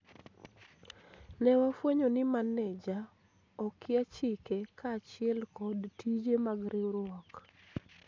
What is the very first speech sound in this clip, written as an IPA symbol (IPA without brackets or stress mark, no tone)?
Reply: n